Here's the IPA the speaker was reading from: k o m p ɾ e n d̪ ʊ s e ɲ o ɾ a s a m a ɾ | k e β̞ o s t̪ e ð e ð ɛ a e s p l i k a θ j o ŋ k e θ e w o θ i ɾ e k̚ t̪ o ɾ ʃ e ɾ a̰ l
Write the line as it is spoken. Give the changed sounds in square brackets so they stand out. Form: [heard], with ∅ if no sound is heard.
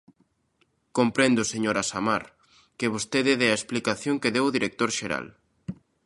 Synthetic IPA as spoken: k o m p ɾ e n d̪ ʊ s e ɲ o ɾ a s a m a ɾ | k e β̞ o s t̪ e ð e ð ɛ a e s p l i k a θ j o ŋ k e [ð] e w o [ð] i ɾ e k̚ t̪ o ɾ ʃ e ɾ a̰ l